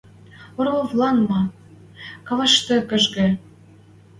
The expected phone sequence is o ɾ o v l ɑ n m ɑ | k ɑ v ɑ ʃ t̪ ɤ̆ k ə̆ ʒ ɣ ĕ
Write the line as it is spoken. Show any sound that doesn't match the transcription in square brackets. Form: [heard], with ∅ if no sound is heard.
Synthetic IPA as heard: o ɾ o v l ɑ n m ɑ | k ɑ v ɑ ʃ t̪ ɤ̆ k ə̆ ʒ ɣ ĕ